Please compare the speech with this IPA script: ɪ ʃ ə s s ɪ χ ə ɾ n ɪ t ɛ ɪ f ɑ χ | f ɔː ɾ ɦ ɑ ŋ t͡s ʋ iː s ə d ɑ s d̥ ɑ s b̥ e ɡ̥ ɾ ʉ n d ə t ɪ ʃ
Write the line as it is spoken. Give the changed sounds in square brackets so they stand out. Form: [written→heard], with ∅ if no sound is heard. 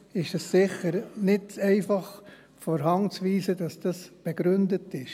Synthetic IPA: ɪ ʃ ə s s ɪ χ ə ɾ n ɪ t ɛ ɪ f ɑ χ | f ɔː ɾ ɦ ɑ ŋ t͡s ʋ iː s ə d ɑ s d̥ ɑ s b̥ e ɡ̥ ɾ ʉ n d ə t ɪ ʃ